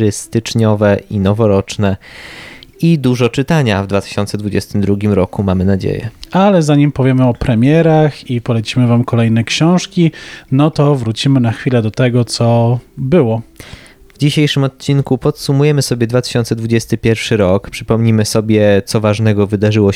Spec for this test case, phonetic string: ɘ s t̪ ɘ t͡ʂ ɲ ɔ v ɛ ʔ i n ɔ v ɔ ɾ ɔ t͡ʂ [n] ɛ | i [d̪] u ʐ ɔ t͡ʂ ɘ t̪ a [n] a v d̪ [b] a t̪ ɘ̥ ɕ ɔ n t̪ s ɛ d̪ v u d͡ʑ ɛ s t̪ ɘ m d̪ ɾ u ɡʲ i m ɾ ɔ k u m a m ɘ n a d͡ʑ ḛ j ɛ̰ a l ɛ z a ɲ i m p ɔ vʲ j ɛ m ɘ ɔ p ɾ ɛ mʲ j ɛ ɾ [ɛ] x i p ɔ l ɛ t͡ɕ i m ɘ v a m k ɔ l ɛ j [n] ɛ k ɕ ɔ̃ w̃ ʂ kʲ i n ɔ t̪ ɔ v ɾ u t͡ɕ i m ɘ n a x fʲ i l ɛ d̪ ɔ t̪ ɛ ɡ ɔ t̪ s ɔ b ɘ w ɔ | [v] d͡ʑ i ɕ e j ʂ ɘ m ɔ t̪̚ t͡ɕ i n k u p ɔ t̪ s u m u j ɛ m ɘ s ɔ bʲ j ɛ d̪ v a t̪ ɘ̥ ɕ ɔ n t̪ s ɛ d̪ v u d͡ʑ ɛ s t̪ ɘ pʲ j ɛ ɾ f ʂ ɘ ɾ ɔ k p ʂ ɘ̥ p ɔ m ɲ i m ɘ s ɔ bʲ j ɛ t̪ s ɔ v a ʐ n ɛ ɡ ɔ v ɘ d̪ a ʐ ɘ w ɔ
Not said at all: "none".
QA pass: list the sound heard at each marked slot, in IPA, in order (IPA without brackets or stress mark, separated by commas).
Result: n, d̪, ɲ, v, a, n, v